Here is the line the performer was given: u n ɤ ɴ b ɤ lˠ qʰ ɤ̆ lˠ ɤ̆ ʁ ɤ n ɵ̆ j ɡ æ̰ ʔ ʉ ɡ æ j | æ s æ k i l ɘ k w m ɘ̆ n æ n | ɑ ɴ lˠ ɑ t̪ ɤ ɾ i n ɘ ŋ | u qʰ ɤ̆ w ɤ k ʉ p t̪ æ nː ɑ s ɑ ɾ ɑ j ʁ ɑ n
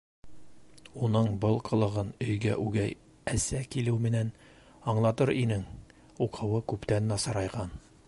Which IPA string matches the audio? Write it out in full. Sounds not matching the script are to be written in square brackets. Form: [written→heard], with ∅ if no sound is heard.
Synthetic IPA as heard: u n ɤ ɴ b ɤ lˠ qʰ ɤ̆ lˠ ɤ̆ ʁ ɤ n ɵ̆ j ɡ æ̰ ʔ ʉ ɡ æ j | æ s æ k i l ɘ [k→∅] w m ɘ̆ n æ n | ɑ ɴ lˠ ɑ t̪ ɤ ɾ i n ɘ ŋ | u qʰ ɤ̆ w ɤ k ʉ p t̪ æ nː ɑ s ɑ ɾ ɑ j ʁ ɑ n